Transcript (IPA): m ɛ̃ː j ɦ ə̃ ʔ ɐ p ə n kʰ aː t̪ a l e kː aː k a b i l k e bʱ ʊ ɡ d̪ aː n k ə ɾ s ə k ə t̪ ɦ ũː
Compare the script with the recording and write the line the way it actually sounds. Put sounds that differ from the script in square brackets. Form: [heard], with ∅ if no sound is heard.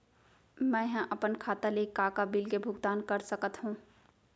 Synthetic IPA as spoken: m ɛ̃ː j ɦ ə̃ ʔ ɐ p ə n kʰ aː t̪ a l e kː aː k a b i l k e bʱ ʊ ɡ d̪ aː n k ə ɾ s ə k ə t̪ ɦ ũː